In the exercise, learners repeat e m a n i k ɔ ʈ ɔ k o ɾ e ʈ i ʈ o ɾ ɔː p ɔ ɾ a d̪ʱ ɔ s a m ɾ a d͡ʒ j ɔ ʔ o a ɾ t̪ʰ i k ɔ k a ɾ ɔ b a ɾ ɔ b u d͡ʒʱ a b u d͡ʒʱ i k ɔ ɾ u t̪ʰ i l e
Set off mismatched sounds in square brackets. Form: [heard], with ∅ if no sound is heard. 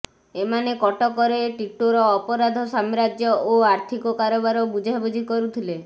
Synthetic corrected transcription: e m a n [e] k ɔ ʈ ɔ k [ɔ] ɾ e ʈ i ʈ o ɾ ɔː p ɔ ɾ a d̪ʱ ɔ s a m ɾ a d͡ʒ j ɔ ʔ o a ɾ t̪ʰ i k ɔ k a ɾ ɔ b a ɾ ɔ b u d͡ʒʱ a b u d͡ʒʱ i k ɔ ɾ u t̪ʰ i l e